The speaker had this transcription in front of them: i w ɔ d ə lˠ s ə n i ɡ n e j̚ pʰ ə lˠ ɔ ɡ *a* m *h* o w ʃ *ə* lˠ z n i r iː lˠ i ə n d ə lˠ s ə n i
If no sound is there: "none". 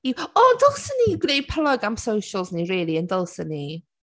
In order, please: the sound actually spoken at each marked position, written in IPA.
a, s, ə

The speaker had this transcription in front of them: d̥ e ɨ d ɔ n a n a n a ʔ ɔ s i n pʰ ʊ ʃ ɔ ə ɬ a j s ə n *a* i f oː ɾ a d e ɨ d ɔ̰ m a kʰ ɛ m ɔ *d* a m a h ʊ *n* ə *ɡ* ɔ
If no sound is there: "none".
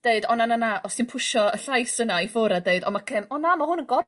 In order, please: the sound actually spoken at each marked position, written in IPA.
a, n, n, ɡ

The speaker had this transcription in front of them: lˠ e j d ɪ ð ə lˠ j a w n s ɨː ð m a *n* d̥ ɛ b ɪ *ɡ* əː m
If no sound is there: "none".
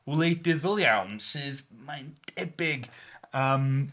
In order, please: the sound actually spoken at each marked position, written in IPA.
n, ɡ

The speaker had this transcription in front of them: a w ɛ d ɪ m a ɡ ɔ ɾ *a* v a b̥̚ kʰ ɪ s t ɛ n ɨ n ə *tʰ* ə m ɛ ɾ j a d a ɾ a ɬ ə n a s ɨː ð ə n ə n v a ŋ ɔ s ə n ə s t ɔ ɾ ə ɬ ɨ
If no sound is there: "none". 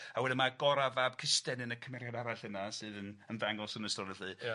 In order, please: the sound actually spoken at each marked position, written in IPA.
a, kʰ

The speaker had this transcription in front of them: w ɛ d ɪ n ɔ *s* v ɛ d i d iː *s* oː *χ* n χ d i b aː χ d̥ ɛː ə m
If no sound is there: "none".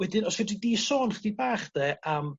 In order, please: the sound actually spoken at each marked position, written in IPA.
s, s, none

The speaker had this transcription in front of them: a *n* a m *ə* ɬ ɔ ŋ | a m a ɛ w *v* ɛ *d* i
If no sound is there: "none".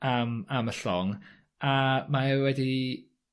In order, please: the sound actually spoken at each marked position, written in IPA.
m, ə, w, d

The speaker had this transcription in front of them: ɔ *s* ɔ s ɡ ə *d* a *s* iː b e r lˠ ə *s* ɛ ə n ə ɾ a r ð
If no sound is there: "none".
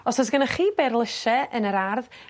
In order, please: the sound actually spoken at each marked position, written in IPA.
s, n, χ, ʃ

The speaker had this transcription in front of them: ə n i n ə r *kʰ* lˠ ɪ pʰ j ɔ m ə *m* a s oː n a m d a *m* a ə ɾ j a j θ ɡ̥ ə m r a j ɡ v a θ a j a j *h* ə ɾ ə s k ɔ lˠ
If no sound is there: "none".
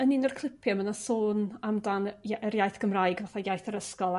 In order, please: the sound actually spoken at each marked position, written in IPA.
kʰ, n, n, θ

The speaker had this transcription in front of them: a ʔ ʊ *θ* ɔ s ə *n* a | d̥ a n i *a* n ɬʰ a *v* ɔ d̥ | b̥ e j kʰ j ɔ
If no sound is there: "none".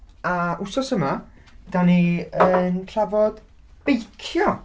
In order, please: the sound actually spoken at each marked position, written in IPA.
s, m, ə, v

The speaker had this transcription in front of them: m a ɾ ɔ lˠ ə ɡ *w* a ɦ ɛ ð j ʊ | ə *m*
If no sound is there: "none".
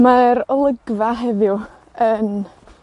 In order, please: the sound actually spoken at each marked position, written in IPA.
v, n

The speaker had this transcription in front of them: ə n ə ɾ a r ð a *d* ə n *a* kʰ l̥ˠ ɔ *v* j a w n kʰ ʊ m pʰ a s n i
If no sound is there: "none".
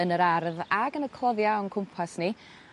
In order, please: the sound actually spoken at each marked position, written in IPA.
ɡ, ə, ð

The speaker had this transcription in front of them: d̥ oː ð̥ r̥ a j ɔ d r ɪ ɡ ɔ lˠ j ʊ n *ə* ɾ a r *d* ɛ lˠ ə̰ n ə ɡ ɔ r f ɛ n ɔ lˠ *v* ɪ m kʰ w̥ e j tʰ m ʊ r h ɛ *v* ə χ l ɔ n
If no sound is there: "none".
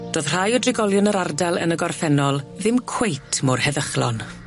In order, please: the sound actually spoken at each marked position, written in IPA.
ə, d, ð, ð

